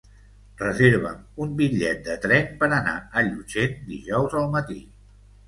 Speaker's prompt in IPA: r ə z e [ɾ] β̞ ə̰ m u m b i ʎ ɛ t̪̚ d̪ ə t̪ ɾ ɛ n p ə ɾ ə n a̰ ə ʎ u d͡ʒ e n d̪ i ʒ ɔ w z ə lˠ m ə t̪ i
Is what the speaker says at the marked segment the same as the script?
yes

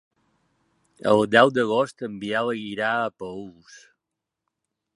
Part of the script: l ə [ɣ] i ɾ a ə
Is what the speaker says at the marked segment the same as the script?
yes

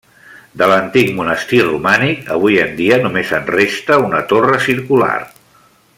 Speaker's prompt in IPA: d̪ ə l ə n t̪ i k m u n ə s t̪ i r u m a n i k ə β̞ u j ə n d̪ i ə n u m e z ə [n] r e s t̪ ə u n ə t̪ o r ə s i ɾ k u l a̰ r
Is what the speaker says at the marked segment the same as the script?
yes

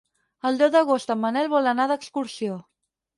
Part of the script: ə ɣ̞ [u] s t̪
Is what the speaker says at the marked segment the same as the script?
no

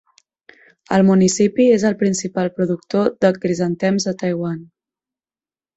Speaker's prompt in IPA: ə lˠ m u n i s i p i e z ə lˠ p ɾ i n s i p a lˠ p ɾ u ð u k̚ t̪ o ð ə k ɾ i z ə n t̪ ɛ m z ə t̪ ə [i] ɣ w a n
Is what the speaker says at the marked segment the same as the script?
no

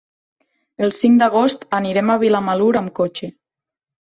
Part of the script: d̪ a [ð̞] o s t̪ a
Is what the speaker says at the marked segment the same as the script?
no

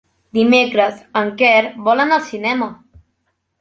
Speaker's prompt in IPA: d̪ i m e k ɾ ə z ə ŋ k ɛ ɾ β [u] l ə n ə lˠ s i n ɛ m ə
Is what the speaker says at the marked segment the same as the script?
no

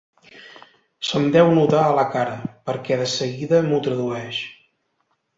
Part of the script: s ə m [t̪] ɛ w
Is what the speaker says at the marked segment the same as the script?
no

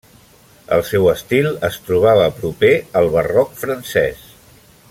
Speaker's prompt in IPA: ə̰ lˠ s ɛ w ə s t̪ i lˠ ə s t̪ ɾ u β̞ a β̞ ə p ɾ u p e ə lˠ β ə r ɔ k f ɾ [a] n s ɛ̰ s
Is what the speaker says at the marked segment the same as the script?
no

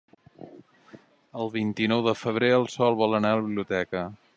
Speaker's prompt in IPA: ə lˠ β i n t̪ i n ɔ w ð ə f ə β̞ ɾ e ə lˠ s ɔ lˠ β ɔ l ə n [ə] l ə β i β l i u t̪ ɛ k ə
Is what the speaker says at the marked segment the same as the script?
no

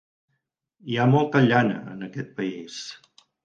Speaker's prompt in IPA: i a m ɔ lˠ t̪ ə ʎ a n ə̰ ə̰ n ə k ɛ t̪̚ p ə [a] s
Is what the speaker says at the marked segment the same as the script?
no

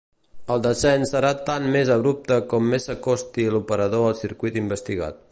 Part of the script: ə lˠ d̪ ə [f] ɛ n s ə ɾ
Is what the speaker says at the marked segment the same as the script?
no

